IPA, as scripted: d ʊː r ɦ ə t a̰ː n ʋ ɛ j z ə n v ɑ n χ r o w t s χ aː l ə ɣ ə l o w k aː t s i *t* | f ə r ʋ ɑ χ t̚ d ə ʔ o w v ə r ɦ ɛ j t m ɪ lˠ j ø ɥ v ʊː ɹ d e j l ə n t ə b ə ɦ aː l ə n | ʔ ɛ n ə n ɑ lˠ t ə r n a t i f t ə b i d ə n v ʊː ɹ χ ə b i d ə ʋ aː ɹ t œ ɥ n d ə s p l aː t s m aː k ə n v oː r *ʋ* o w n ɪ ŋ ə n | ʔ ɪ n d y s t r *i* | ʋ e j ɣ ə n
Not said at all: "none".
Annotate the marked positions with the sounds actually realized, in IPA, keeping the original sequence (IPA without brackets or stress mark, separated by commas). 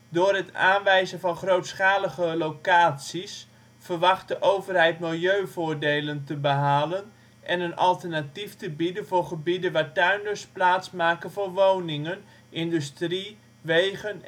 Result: s, ʋ, i